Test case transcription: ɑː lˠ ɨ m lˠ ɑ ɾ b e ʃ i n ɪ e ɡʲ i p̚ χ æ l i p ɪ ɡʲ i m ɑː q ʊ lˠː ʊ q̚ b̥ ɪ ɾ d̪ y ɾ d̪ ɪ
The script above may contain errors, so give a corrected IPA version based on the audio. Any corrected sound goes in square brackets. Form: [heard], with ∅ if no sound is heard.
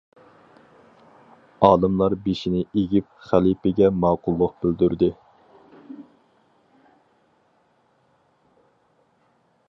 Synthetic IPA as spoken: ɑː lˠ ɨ m lˠ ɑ ɾ b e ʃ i n ɪ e ɡʲ i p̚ χ æ l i p ɪ ɡʲ [ɛ] m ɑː q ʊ lˠː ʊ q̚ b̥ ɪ [l] d̪ y ɾ d̪ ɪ